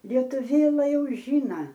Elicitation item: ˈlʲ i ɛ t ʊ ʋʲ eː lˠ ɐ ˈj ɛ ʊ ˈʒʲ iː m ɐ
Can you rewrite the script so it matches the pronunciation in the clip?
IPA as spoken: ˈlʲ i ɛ t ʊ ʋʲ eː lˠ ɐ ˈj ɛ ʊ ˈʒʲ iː n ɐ